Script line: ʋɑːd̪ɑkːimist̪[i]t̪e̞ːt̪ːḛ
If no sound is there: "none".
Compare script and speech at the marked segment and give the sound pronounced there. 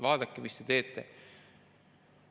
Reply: e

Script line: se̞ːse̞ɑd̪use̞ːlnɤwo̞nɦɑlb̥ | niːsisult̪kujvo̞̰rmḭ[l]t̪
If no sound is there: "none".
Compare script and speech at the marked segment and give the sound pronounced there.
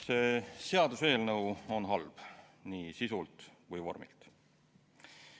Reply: l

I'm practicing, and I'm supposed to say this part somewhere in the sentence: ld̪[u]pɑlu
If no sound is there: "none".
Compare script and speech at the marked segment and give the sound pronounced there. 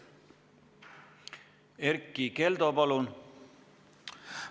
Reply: o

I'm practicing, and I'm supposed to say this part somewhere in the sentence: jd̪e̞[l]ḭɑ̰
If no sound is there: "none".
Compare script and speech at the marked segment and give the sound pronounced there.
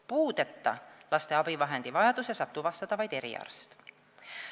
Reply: ɾ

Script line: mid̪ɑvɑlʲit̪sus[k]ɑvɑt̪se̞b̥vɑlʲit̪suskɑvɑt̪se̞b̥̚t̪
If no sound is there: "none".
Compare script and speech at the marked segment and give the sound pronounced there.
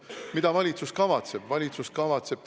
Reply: k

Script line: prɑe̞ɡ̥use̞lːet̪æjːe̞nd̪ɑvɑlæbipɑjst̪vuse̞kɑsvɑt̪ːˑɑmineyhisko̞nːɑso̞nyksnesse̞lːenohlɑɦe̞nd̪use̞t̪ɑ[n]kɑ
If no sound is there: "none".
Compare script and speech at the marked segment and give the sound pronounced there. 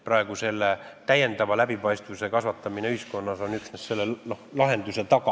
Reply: none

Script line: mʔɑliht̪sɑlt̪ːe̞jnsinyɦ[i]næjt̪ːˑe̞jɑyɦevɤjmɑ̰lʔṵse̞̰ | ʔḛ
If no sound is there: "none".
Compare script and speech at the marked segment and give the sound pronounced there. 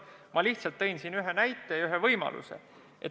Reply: e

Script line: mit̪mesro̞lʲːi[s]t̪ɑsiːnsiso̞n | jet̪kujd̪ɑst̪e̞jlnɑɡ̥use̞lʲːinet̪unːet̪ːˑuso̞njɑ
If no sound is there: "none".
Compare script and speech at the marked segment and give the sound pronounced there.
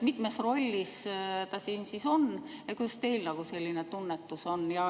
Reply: s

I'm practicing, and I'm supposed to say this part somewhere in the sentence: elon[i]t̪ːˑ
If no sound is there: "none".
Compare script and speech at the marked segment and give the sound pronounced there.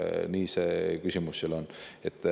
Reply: e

